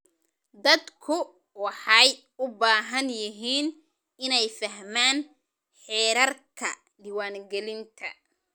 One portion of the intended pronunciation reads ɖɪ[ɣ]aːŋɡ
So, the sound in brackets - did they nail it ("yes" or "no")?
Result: no